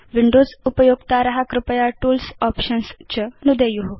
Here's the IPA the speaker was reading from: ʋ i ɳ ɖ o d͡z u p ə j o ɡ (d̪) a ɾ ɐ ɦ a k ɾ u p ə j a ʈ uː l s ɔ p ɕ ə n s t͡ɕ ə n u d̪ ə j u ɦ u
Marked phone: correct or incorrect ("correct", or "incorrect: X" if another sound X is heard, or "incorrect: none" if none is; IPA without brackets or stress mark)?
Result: incorrect: t̪